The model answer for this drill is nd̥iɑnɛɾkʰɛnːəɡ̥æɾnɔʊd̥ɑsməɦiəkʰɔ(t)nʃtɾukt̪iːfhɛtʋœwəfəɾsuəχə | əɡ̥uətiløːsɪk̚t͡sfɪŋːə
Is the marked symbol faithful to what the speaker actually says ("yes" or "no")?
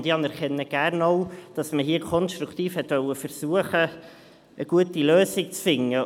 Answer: no